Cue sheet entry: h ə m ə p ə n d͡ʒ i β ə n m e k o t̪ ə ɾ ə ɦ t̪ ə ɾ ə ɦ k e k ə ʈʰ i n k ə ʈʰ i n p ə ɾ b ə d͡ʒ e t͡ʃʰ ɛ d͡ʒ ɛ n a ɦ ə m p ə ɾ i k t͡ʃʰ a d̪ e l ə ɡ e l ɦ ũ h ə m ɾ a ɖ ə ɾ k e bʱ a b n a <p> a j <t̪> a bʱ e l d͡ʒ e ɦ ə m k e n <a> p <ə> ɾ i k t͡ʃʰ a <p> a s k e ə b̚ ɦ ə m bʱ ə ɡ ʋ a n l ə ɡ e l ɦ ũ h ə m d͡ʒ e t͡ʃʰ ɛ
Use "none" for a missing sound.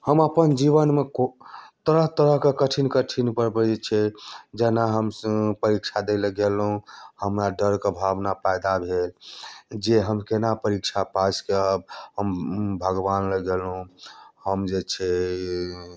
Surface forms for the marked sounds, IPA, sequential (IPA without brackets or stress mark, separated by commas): p, d̪, a, ə, p